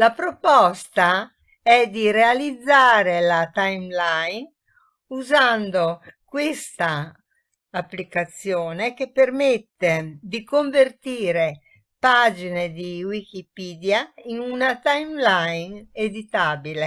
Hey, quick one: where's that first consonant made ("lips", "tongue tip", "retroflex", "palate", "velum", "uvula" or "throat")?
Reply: tongue tip